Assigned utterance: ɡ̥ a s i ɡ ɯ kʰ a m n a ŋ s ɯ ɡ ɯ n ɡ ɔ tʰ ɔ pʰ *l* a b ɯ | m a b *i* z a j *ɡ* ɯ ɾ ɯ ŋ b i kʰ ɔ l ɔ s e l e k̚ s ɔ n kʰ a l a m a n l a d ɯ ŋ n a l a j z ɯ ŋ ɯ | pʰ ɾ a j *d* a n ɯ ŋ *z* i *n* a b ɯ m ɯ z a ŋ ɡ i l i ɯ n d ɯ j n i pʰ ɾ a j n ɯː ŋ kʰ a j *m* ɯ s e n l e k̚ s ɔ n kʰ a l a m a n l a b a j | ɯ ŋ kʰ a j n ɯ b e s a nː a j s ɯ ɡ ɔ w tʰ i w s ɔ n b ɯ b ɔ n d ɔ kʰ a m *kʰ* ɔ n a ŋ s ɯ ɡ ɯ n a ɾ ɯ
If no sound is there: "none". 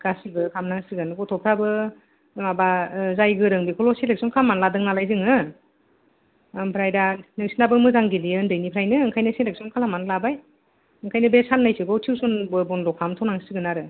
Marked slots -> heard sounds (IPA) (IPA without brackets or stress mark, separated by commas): ɾ, a, ɡ, d, s, n, n, tʰ